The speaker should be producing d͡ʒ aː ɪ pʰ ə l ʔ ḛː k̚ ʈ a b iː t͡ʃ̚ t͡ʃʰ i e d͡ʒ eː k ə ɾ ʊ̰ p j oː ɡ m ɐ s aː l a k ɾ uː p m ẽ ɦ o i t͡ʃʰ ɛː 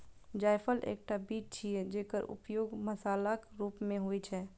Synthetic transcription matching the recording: d͡ʒ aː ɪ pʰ ə l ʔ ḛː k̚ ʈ a b iː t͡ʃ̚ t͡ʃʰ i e d͡ʒ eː k ə ɾ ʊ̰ p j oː ɡ m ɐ s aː l a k ɾ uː p m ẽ ɦ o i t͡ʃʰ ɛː